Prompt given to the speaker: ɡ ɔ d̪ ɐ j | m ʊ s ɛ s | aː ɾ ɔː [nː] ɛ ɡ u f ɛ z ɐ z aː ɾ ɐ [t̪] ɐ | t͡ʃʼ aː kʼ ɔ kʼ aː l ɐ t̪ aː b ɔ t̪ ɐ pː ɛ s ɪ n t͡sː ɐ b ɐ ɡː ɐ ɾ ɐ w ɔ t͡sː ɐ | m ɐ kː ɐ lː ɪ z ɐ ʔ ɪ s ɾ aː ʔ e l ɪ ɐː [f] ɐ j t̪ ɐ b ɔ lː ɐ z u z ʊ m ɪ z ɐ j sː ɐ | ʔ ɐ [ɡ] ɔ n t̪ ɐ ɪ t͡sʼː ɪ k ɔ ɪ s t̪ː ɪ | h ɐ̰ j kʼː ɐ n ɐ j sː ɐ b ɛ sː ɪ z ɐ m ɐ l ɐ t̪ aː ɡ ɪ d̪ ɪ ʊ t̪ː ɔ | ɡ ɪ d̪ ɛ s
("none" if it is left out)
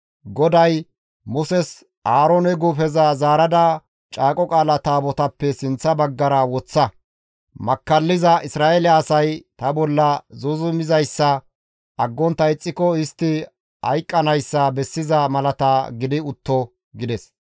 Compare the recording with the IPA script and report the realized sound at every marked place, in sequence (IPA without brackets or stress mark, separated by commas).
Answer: n, d̪, s, ɡː